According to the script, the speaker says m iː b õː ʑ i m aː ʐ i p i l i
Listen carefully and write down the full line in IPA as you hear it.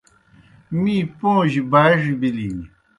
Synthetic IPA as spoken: m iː p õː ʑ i b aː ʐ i b i l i